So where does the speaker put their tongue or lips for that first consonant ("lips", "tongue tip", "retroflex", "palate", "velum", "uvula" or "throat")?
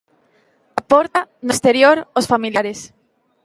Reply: lips